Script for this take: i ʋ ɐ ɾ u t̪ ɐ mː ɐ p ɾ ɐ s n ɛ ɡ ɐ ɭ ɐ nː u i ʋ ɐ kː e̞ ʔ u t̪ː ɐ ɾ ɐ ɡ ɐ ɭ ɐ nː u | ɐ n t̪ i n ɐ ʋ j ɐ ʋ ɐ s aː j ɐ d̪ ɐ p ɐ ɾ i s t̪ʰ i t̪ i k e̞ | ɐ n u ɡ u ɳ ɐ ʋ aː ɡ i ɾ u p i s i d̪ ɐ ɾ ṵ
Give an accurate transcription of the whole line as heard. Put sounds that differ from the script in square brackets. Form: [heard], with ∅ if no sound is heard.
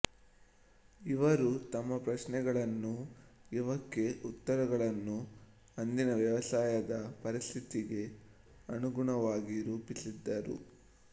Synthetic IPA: i ʋ ɐ ɾ u t̪ ɐ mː ɐ p ɾ ɐ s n ɛ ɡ ɐ ɭ ɐ nː u i ʋ ɐ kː e̞ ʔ u t̪ː ɐ ɾ ɐ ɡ ɐ ɭ ɐ nː u | ɐ n [d̪] i n ɐ ʋ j ɐ ʋ ɐ s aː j ɐ d̪ ɐ p ɐ ɾ i s t̪ʰ i t̪ i [ɡ] e̞ | ɐ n u ɡ u ɳ ɐ ʋ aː ɡ i ɾ [uː] p i s i [d̪ː] ɐ ɾ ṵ